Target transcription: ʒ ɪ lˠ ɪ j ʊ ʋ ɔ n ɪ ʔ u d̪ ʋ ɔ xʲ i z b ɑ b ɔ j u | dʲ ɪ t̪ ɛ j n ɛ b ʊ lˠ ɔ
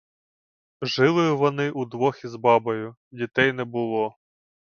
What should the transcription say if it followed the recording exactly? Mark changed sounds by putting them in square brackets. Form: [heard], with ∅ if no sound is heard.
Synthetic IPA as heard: ʒ ɪ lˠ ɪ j ʊ ʋ ɔ n ɪ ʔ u d̪ ʋ ɔ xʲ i z b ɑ b ɔ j [ʊ] | dʲ [i] t̪ ɛ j n ɛ b ʊ lˠ ɔ